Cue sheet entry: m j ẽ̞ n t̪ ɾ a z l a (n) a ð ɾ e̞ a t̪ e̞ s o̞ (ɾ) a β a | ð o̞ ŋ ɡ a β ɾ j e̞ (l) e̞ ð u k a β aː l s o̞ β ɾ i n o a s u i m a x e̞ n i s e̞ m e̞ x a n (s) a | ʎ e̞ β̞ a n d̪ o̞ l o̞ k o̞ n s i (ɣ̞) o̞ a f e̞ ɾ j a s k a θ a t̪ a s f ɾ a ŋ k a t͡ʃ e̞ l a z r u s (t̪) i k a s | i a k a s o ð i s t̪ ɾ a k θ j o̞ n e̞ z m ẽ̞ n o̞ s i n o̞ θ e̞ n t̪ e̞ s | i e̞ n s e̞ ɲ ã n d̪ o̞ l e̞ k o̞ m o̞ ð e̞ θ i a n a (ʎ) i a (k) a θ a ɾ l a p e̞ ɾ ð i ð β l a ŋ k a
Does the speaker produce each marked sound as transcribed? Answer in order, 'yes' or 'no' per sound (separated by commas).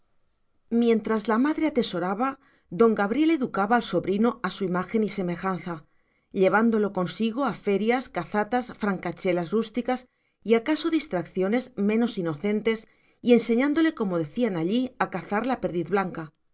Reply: no, yes, yes, no, yes, yes, yes, yes